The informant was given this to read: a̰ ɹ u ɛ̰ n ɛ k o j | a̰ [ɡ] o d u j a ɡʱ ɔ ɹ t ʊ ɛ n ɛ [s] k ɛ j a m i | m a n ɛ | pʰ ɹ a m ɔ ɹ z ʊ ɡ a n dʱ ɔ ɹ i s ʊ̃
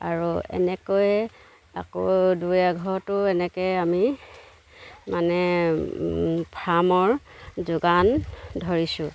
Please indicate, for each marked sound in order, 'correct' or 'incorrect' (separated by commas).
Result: incorrect, incorrect